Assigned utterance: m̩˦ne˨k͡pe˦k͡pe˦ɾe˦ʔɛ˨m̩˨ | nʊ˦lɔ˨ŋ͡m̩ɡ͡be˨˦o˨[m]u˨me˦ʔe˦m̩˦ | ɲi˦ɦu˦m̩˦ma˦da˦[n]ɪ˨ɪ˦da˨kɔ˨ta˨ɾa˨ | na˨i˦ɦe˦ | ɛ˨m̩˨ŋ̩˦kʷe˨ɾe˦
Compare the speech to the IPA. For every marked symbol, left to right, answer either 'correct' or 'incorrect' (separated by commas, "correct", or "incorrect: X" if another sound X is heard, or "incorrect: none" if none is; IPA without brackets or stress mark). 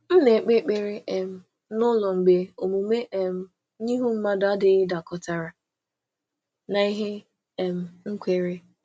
correct, incorrect: d